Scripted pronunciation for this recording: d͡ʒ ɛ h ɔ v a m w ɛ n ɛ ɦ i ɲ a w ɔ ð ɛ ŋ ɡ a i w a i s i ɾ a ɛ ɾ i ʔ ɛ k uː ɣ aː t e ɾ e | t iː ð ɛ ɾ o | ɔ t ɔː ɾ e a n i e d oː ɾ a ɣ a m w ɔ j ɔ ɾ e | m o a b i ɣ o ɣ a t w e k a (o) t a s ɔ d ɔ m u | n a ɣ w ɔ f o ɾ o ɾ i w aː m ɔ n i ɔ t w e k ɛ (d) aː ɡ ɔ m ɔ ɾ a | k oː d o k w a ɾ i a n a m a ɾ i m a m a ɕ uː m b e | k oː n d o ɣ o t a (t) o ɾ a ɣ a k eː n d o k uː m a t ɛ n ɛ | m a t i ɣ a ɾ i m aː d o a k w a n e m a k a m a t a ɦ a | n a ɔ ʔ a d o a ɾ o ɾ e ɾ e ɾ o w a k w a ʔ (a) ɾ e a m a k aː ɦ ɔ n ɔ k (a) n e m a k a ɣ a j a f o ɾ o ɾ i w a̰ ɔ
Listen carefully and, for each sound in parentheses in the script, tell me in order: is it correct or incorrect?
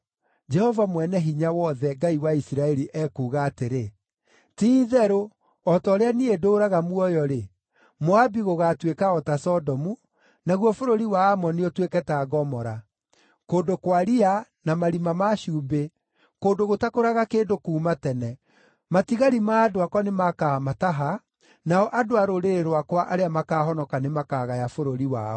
incorrect, incorrect, incorrect, correct, correct

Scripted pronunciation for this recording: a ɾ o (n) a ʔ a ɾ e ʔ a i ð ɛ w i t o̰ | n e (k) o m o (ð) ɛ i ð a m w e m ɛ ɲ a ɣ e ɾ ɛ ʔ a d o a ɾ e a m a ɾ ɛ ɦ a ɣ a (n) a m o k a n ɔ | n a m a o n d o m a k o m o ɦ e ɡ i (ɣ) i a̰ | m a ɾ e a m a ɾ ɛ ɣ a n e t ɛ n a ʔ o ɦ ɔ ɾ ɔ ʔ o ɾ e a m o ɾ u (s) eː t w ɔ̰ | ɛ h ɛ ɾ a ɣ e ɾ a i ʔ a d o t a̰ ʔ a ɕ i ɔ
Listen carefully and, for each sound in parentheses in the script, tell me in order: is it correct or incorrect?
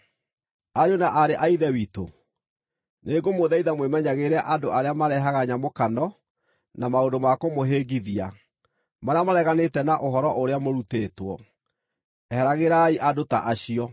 correct, incorrect, correct, incorrect, incorrect, incorrect

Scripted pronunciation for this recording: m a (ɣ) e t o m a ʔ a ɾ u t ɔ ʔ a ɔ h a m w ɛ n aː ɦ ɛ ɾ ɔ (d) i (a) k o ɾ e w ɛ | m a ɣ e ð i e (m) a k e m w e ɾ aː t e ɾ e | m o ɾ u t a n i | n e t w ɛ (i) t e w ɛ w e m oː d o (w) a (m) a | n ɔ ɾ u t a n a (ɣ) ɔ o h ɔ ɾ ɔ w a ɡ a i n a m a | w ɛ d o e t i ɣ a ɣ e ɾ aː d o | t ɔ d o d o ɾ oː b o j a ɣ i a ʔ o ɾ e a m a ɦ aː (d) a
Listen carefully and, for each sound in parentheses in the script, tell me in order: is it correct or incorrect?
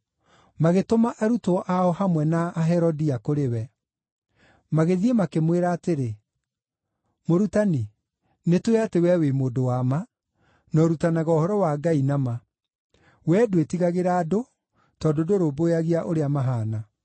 correct, correct, correct, correct, incorrect, correct, correct, correct, incorrect

